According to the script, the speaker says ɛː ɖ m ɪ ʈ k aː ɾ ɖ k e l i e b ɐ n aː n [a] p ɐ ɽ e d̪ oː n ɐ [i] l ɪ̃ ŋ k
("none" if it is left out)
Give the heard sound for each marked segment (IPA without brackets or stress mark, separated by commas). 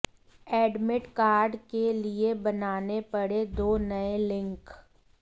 e, e